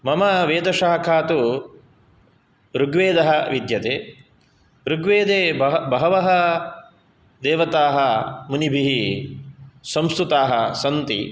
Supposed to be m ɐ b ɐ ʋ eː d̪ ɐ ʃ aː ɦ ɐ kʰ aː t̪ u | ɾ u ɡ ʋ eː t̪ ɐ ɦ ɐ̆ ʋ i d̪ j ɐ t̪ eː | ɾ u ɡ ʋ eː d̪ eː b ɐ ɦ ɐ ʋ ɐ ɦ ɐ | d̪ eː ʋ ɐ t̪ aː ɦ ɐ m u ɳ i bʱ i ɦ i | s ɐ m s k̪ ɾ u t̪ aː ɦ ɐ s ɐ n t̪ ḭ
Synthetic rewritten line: m ɐ m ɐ ʋ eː d̪ ɐ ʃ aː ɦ ɐ kʰ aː t̪ u | ɾ u ɡ ʋ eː d̪ ɐ ɦ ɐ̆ ʋ i d̪ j ɐ t̪ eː | ɾ u ɡ ʋ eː d̪ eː b ɐ ɦ ɐ ʋ ɐ ɦ ɐ | d̪ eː ʋ ɐ t̪ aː ɦ ɐ m u n i bʱ i ɦ i | s ɐ m s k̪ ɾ u t̪ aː ɦ ɐ s ɐ n t̪ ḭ